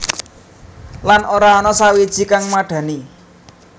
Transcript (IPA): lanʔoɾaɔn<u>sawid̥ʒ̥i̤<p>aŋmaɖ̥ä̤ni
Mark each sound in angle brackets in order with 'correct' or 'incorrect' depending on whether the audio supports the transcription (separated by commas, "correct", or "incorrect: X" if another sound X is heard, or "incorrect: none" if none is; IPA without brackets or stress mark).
incorrect: ɔ, incorrect: k